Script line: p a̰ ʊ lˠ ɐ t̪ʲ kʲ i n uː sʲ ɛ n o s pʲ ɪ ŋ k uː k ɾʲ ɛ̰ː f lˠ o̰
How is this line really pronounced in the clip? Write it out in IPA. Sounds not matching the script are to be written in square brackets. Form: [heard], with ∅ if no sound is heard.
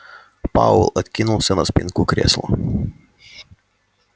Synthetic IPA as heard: p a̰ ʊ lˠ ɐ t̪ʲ kʲ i n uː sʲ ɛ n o s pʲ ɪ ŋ k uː k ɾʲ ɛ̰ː [s] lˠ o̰